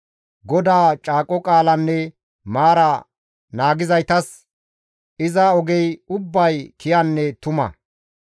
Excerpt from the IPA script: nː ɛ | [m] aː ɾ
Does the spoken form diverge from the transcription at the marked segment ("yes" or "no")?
no